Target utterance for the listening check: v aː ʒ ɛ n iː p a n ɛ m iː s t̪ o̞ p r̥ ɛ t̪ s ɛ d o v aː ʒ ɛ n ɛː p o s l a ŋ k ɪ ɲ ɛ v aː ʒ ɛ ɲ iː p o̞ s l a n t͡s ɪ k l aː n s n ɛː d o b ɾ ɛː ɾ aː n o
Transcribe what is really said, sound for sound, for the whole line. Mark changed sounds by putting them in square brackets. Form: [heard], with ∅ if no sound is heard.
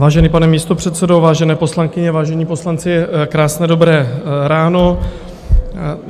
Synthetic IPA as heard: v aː ʒ ɛ n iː p a n ɛ m iː s t̪ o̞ p r̥ ɛ t̪ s ɛ d o v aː ʒ ɛ n ɛː p o s l a ŋ k ɪ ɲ ɛ v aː ʒ ɛ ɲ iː p o̞ s l a n t͡s ɪ k [ɾ] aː [∅] s n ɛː d o b ɾ ɛː ɾ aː n o